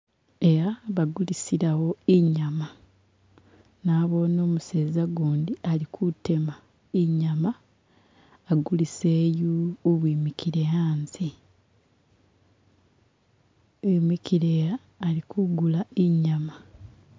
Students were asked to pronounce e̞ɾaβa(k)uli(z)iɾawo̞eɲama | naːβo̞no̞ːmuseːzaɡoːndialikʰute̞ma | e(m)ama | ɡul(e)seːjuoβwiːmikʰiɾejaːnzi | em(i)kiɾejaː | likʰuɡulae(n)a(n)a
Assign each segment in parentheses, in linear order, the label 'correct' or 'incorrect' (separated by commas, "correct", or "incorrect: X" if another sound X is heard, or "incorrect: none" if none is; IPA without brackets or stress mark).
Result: incorrect: ɡ, incorrect: s, incorrect: ɲ, incorrect: i, correct, incorrect: ɲ, incorrect: m